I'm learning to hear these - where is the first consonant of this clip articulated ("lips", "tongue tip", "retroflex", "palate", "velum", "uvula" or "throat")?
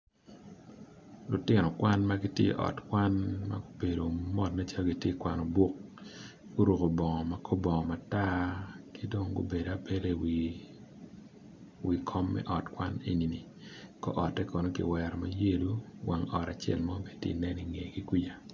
tongue tip